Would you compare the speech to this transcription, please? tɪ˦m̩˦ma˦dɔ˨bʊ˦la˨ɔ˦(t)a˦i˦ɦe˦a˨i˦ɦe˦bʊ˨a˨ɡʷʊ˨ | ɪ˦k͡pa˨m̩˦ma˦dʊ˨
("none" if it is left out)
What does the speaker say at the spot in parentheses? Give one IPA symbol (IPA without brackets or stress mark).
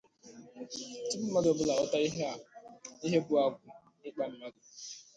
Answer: t